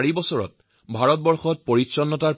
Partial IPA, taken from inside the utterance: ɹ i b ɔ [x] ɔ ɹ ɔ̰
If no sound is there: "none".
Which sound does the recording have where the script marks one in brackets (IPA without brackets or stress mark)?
s